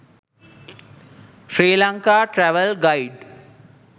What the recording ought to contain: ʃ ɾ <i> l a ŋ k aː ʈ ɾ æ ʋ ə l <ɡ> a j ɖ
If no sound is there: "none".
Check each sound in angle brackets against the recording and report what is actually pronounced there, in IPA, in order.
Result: iː, ɡ

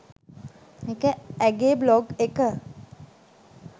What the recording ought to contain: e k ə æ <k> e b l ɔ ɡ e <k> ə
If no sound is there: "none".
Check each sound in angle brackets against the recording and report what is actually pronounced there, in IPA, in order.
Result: ɡ, k

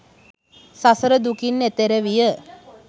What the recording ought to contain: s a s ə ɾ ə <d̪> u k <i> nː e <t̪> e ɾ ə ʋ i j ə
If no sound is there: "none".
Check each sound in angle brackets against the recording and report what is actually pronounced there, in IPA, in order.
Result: d̪, i, t̪

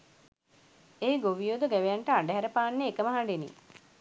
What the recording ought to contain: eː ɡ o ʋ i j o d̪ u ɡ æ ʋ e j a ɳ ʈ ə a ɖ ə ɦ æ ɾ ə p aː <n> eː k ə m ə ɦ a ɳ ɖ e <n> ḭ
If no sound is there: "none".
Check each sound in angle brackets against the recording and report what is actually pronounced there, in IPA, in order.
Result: nː, n

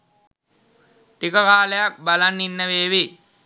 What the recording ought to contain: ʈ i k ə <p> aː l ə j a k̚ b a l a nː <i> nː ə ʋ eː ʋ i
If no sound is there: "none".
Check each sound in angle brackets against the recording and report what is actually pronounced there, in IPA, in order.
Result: k, i

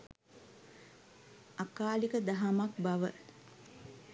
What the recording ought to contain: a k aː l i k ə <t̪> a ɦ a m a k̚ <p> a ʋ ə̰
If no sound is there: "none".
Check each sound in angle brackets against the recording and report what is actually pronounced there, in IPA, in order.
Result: d̪, b

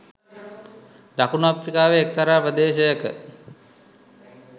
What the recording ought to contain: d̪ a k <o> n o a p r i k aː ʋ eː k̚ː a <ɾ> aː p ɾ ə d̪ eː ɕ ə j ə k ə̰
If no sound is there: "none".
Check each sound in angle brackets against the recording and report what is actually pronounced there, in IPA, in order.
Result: u, ɾ

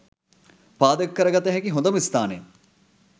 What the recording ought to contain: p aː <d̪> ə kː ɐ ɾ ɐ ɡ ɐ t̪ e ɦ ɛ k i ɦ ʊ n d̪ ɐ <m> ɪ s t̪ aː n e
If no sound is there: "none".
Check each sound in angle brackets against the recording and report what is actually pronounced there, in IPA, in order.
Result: d̪, m

